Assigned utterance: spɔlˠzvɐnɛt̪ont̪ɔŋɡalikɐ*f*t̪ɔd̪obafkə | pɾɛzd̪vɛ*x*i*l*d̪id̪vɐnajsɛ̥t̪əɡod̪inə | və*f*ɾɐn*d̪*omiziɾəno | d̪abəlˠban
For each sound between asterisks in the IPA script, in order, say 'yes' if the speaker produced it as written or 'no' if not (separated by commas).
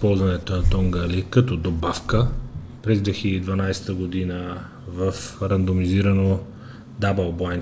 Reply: no, yes, yes, yes, yes